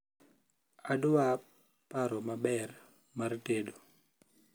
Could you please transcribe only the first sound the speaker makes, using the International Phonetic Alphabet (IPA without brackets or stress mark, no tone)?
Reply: a